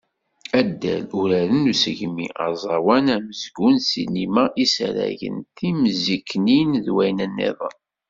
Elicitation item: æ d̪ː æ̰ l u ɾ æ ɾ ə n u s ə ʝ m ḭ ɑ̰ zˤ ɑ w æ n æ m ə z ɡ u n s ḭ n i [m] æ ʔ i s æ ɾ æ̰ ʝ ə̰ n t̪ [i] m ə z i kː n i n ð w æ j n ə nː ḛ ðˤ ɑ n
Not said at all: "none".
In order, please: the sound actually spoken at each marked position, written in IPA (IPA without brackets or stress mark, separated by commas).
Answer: m, i